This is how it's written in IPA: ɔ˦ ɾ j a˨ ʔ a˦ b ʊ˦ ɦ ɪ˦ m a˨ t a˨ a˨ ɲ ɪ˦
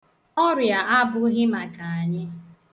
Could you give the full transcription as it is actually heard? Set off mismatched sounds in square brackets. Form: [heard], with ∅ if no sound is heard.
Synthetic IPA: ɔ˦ ɾ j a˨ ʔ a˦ b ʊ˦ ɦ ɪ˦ m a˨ [k] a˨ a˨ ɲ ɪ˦